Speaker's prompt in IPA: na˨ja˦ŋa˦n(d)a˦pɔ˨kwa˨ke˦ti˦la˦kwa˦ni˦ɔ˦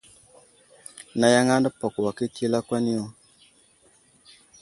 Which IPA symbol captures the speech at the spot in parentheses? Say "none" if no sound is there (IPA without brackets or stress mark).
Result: d